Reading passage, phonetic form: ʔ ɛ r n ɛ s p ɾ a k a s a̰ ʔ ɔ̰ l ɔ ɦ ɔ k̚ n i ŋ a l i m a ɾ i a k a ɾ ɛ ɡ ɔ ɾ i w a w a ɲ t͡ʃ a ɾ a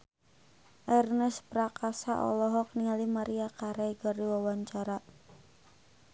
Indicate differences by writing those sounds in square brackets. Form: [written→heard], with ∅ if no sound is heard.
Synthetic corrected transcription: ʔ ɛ r n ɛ s p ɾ a k a s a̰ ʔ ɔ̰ l ɔ ɦ ɔ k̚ n i ŋ a l i m a ɾ i a k a ɾ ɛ ɡ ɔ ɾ i w a w a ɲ t͡ʃ a ɾ a